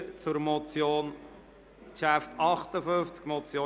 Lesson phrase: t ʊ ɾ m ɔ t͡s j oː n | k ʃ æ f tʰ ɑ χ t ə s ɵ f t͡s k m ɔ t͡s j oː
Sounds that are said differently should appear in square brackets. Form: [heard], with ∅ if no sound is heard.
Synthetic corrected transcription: [t͡s] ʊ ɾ m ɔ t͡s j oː n | k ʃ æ f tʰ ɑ χ t ə [f] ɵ f t͡s k m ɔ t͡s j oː